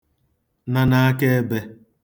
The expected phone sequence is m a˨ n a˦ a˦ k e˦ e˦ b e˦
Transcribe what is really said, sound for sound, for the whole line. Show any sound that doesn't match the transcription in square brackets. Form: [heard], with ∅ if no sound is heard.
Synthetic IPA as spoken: [n] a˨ n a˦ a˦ k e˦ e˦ b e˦